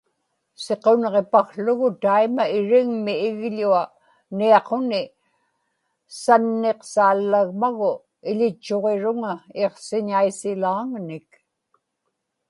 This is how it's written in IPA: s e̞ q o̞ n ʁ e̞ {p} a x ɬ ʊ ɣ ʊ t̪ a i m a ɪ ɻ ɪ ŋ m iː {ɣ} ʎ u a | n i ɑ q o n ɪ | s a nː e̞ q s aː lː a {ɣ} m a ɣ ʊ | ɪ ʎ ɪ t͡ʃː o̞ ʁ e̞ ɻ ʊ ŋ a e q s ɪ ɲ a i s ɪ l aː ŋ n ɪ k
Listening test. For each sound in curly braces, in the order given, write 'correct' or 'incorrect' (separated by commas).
correct, correct, correct